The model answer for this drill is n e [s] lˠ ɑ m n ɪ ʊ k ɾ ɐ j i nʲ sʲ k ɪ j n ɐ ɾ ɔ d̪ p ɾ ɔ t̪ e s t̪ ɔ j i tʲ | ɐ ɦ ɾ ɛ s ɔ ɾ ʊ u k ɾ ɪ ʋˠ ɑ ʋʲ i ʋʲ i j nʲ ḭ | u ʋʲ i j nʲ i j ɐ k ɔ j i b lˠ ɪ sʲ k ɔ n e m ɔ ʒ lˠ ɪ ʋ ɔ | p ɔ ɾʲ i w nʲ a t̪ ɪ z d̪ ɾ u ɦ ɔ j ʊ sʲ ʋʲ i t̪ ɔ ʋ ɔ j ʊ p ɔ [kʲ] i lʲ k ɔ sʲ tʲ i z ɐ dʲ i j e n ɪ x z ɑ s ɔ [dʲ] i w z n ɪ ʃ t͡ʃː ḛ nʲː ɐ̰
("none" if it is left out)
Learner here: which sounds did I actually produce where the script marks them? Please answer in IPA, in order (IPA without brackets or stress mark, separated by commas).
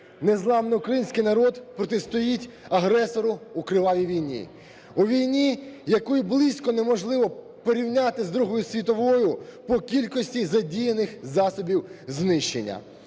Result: z, kʲ, bʲ